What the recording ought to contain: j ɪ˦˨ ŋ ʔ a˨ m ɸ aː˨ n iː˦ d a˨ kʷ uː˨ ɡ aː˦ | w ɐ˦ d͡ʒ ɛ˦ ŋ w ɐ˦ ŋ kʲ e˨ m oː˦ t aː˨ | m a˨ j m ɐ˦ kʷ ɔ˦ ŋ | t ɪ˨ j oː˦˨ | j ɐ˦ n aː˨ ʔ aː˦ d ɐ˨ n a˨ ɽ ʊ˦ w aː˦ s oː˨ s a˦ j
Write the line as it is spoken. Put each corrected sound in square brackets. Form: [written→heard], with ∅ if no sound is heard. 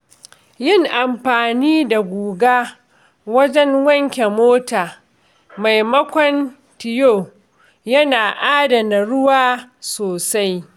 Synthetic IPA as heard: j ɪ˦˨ ŋ ʔ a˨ m ɸ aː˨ n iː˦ d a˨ [kʷ→ɡʷ] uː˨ ɡ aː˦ | w ɐ˦ d͡ʒ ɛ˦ ŋ w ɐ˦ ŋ kʲ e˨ m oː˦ t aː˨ | m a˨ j m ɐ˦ kʷ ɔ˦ [ŋ→n] | t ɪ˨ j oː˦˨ | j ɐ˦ n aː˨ ʔ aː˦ d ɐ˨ n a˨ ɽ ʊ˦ w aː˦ s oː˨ s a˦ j